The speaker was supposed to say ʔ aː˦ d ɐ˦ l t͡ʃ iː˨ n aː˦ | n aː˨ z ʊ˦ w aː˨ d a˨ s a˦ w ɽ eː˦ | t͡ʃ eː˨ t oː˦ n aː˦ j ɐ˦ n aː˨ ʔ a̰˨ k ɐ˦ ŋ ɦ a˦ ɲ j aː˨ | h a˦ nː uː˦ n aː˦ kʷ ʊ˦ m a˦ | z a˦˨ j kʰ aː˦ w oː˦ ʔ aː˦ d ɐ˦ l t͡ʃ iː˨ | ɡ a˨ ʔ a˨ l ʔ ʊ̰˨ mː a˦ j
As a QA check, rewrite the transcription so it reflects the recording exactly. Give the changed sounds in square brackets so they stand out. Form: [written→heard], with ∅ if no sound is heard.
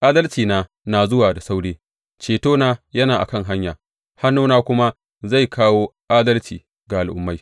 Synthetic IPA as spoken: ʔ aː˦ d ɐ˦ l t͡ʃ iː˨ n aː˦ | n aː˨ z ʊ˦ w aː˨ d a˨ s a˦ w ɽ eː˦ | t͡ʃ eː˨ t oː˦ n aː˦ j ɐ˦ n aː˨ ʔ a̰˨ k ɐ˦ ŋ ɦ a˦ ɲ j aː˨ | h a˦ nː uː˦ n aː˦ kʷ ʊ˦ m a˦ | z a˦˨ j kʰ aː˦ w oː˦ ʔ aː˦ d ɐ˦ l t͡ʃ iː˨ | ɡ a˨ ʔ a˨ l ʔ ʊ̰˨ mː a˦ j